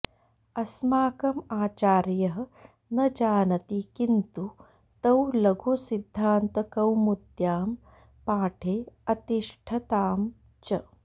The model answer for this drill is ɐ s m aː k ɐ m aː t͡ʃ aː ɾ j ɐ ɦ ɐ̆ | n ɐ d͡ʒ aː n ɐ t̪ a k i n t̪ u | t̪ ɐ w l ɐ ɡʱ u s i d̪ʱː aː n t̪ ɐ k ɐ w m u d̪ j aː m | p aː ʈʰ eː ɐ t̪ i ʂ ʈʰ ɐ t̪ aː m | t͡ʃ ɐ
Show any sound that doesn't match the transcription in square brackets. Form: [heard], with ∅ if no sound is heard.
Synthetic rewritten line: ɐ s m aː k ɐ m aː t͡ʃ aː ɾ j ɐ ɦ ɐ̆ | n ɐ d͡ʒ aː n ɐ t̪ [i] k i n t̪ u | t̪ ɐ w l ɐ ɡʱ u s i d̪ʱː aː n t̪ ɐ k ɐ w m u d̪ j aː m | p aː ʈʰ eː ɐ t̪ i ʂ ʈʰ ɐ t̪ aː m | t͡ʃ ɐ

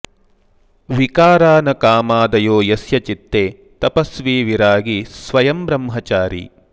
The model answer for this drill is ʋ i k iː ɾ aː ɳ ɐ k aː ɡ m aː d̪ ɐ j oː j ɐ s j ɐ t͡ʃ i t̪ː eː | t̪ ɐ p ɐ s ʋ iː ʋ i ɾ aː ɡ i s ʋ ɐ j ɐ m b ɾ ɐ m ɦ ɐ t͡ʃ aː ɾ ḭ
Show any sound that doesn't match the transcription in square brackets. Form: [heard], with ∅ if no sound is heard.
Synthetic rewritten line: ʋ i k [aː] ɾ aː [n] ɐ k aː [∅] m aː d̪ ɐ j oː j ɐ s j ɐ t͡ʃ i t̪ː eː | t̪ ɐ p ɐ s ʋ iː ʋ i ɾ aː ɡ i s ʋ ɐ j ɐ m b ɾ ɐ m ɦ ɐ t͡ʃ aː ɾ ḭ

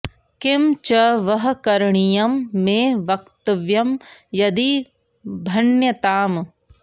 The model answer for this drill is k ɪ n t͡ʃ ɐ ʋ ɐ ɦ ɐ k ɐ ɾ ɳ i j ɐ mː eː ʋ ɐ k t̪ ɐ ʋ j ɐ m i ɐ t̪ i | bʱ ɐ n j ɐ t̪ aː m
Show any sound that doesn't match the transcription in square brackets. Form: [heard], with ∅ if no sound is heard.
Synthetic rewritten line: k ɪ [m] t͡ʃ ɐ ʋ ɐ ɦ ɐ k ɐ ɾ ɳ i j ɐ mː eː ʋ ɐ k t̪ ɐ ʋ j ɐ m [j] ɐ [d̪] i | bʱ ɐ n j ɐ t̪ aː m

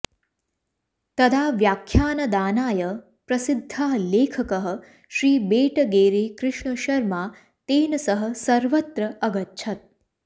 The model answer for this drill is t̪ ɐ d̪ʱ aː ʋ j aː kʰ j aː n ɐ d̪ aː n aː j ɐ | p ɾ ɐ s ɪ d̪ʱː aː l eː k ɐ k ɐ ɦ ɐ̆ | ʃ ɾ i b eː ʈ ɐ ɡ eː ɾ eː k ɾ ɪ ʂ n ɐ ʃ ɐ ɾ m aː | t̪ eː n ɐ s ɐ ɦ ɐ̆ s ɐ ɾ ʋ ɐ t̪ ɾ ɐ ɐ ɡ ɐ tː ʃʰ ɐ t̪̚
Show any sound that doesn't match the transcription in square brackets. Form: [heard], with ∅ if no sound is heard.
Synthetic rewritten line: t̪ ɐ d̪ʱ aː ʋ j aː kʰ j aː n ɐ d̪ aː n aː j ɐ | p ɾ ɐ s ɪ d̪ʱː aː l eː [kʰ] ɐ k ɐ ɦ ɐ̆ | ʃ ɾ [iː] b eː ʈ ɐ ɡ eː ɾ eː k ɾ ɪ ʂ [ɳ] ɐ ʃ ɐ ɾ m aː | t̪ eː n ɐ s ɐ ɦ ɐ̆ s ɐ ɾ ʋ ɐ t̪ ɾ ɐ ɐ ɡ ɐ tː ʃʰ ɐ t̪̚

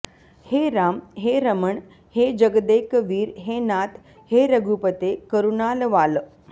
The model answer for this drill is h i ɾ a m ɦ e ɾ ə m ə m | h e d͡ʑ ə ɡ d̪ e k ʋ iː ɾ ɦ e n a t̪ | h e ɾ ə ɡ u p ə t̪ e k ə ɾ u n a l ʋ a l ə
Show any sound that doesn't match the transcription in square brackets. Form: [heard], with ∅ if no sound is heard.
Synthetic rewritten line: h [e] ɾ a m ɦ e ɾ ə m ə [ɳ] | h e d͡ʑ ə ɡ d̪ e k ʋ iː ɾ ɦ e n a t̪ | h e ɾ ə ɡ u p ə t̪ e k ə ɾ u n a l ʋ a l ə

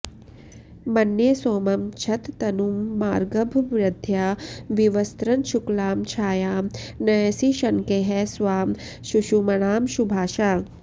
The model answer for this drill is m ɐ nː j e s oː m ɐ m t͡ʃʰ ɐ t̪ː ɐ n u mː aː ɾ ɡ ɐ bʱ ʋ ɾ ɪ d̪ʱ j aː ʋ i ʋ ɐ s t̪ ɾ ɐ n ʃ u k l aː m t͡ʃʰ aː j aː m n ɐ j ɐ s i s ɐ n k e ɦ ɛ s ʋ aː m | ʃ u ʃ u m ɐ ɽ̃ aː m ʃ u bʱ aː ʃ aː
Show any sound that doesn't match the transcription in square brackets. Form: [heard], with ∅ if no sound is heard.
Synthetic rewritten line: m ɐ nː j e s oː m ɐ m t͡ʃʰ ɐ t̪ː ɐ n u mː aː ɾ ɡ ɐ bʱ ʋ ɾ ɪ d̪ʱ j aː ʋ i ʋ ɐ s t̪ ɾ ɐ n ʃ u k l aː m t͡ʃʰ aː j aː m n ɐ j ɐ s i [ʃ] ɐ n k e ɦ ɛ s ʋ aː m | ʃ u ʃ u m ɐ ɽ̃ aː m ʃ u bʱ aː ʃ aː

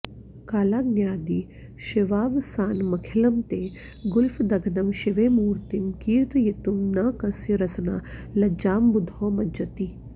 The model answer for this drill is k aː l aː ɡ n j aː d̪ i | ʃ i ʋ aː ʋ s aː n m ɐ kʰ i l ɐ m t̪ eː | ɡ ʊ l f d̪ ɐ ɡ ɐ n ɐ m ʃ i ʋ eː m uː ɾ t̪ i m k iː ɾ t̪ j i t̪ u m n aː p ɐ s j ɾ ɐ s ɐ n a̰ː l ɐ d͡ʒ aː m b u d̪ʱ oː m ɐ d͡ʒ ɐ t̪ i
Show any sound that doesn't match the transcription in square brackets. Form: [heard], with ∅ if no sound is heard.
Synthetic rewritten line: k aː l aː ɡ n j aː d̪ i | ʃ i ʋ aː ʋ s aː n m ɐ kʰ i l ɐ m t̪ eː | ɡ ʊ l f d̪ ɐ ɡ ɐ n ɐ m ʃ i ʋ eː m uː ɾ t̪ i m k iː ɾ t̪ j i t̪ u m n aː [k] ɐ s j ɾ ɐ s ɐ n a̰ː l ɐ d͡ʒ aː m b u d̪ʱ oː m ɐ d͡ʒ ɐ t̪ i

